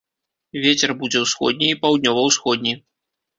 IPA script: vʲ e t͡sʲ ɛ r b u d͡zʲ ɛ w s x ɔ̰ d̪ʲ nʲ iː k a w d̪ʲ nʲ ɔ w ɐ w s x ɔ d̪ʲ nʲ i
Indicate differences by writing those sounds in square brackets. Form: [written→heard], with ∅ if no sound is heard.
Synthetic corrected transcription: vʲ e t͡sʲ ɛ r b u d͡zʲ ɛ w s x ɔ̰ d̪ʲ nʲ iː [k→p] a w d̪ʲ nʲ ɔ [w→v] ɐ w s x ɔ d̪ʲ nʲ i